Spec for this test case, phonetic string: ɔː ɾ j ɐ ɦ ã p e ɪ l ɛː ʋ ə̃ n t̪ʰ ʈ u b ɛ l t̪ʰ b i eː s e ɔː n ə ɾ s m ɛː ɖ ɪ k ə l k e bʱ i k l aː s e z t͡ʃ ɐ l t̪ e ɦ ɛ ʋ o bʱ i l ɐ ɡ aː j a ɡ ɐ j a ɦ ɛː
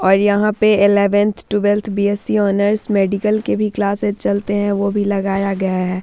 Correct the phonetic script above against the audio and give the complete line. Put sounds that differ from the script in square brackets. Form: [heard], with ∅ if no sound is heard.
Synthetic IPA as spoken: ɔː ɾ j ɐ ɦ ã p e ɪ l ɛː ʋ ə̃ n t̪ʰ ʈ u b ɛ l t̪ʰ b i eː s [i] ɔː n ə ɾ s m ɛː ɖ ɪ k ə l k e bʱ i k l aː s e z t͡ʃ ɐ l t̪ e ɦ [ɛ̃] ʋ o bʱ i l ɐ ɡ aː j a ɡ ɐ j a ɦ ɛː